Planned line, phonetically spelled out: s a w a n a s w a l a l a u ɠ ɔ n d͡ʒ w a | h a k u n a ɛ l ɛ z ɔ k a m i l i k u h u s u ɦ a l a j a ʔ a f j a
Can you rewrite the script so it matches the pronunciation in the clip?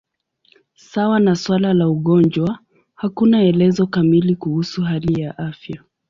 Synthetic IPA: s a w a n a s w a l a l a u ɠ ɔ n d͡ʒ w a | h a k u n a ɛ l ɛ z ɔ k a m i l i k u h u s u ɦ a l i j a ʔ a f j a